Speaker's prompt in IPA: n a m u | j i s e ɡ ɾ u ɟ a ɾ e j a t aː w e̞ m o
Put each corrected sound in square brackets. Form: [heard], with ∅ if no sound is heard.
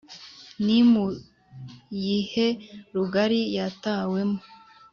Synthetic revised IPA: n [i] m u | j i [h] e [∅] ɾ u [ɡ] a ɾ [i] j a t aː w e̞ m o